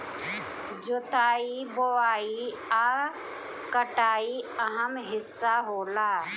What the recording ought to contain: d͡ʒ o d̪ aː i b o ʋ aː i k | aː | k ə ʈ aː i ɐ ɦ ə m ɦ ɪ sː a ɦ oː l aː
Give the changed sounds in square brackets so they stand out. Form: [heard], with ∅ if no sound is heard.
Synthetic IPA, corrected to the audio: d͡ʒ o [t̪] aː i b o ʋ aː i [∅] | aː | k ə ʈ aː i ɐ ɦ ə m ɦ ɪ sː a ɦ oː l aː